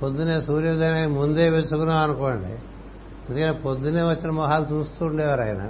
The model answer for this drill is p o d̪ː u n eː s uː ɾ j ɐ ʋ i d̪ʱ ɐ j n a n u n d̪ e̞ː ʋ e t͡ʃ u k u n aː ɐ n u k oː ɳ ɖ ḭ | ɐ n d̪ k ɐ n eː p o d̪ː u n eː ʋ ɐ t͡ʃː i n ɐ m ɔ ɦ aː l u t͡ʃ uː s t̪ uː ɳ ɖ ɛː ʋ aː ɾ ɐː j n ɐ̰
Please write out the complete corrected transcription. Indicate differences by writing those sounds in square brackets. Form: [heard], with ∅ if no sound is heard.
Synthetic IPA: p o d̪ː u n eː s uː ɾ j ɐ ʋ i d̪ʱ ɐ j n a [m] u n d̪ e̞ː ʋ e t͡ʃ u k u n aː ɐ n u k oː ɳ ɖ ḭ | ɐ n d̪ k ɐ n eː p o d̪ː u n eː ʋ ɐ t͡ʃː i n ɐ m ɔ ɦ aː l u t͡ʃ uː s t̪ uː ɳ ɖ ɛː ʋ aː ɾ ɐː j n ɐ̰